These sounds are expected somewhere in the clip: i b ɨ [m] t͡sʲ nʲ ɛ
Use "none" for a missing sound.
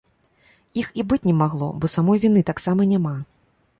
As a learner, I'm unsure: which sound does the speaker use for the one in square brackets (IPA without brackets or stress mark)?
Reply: none